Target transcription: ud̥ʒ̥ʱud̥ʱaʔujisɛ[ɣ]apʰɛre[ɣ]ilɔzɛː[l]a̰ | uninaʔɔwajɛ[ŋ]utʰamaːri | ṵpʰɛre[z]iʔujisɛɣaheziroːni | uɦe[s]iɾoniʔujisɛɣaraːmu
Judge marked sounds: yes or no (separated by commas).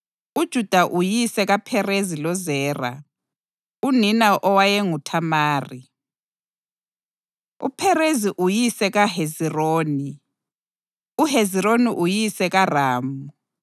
yes, no, no, yes, yes, no